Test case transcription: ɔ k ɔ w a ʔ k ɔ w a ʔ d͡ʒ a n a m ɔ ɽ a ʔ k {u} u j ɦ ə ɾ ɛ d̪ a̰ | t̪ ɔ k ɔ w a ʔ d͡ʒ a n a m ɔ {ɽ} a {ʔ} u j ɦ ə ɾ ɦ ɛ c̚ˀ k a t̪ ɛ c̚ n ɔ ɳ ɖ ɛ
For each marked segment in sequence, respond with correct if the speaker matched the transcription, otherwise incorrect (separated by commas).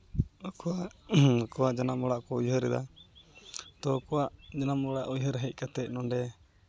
incorrect, correct, correct